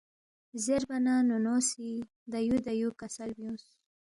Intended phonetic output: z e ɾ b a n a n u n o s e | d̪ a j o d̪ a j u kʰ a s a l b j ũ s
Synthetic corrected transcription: z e ɾ b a n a n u n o s i | d̪ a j u d̪ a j u k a s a l b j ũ s